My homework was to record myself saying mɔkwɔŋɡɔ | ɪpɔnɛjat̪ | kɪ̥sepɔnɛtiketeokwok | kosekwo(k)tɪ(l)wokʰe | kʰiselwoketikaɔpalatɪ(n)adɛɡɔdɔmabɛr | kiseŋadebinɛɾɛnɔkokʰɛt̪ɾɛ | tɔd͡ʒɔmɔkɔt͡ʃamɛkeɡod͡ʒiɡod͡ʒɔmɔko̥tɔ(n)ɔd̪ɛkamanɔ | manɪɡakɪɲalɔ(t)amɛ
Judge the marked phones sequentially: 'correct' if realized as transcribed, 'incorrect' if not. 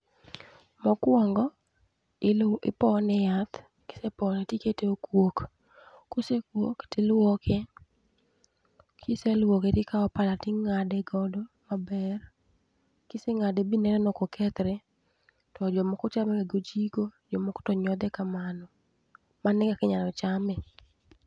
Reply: correct, correct, incorrect, incorrect, incorrect

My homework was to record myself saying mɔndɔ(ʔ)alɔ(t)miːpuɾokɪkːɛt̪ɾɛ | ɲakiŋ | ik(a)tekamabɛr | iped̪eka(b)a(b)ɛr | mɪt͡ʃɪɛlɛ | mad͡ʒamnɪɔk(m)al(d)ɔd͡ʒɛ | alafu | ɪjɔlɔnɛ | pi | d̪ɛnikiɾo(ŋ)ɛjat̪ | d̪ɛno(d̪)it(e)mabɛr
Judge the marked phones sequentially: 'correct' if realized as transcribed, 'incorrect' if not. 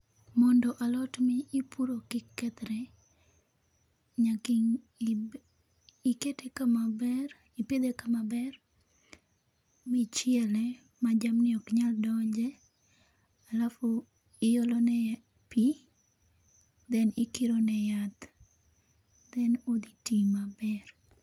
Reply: correct, correct, incorrect, incorrect, correct, incorrect, correct, incorrect, correct, incorrect

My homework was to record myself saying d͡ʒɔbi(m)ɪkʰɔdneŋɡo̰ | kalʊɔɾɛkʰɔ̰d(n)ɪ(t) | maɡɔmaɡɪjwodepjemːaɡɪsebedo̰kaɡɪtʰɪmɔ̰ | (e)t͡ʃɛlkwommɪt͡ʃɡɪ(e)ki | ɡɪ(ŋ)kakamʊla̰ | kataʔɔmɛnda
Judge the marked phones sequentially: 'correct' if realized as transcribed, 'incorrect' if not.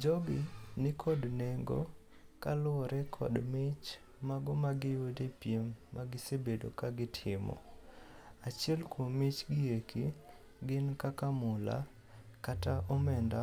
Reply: incorrect, incorrect, incorrect, incorrect, correct, incorrect

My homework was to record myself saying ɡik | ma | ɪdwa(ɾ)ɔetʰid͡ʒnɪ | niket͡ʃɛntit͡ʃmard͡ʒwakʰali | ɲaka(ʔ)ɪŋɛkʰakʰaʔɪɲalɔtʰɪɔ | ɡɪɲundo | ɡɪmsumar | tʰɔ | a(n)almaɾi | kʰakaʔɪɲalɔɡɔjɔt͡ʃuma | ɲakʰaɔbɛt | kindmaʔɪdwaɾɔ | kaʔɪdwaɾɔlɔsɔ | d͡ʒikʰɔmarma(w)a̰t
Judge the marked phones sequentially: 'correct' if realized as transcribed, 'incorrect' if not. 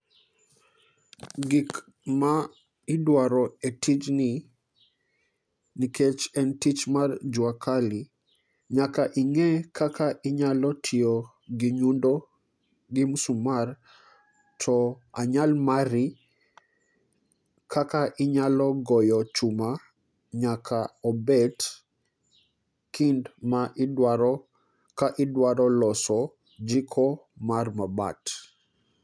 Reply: correct, correct, incorrect, incorrect

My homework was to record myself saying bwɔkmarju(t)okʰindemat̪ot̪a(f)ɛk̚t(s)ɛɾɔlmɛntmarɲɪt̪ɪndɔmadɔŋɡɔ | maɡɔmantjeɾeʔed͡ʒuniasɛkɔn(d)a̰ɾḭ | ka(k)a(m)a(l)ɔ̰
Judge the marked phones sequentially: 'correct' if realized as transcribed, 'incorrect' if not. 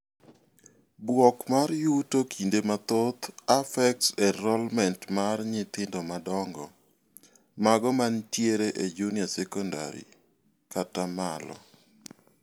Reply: correct, correct, correct, correct, incorrect, correct, correct

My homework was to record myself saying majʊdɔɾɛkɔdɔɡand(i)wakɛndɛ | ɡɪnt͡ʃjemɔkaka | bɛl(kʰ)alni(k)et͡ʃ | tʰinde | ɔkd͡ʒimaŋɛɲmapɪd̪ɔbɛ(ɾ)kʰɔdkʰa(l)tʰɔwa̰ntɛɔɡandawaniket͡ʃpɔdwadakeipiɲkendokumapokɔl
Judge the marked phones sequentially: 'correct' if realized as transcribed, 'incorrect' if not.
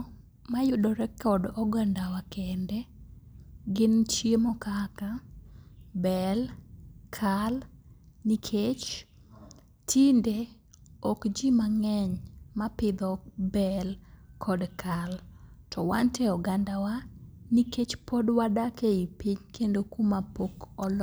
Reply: incorrect, correct, incorrect, incorrect, correct

